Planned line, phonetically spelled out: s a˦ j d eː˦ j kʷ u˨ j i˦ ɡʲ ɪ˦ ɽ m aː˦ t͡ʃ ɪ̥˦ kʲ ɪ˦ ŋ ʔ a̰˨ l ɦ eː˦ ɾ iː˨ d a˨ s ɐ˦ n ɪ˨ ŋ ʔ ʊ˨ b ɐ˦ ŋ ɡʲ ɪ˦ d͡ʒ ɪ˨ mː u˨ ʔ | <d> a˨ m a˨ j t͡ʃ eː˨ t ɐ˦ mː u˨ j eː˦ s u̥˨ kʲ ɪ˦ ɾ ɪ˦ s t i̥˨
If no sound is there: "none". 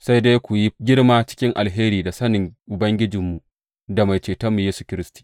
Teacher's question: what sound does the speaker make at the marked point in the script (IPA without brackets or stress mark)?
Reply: d